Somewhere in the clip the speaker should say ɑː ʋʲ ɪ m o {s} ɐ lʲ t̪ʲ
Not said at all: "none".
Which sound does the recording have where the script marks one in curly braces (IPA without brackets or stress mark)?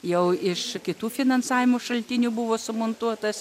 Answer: ʃ